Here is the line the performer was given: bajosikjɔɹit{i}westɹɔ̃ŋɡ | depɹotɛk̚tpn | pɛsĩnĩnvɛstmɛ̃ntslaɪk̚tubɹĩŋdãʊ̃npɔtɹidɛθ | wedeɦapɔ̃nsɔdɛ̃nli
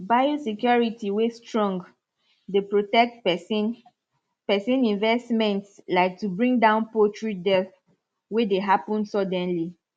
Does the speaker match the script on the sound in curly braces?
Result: yes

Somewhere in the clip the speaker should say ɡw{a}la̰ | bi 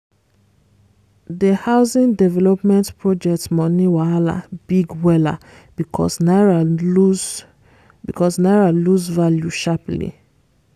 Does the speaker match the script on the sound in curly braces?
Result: no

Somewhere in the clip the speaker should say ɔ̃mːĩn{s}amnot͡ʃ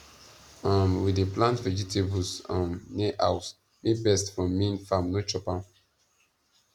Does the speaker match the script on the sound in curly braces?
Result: no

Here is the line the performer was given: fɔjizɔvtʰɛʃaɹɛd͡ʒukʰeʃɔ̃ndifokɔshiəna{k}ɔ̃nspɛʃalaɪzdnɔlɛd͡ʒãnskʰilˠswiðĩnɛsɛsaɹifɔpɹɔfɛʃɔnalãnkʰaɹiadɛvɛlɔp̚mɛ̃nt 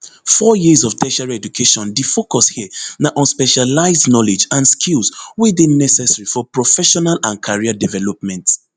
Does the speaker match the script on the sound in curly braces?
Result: no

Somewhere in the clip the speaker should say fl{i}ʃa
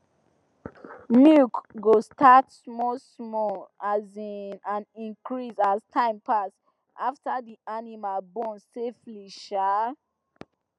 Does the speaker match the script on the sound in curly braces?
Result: yes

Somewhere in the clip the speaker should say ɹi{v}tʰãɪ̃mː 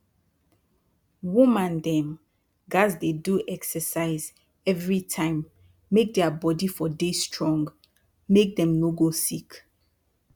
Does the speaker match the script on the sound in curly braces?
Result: no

